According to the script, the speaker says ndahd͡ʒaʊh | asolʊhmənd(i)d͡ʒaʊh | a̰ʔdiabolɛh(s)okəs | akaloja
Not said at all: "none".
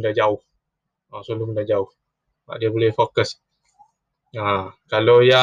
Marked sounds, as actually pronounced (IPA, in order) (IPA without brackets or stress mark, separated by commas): a, f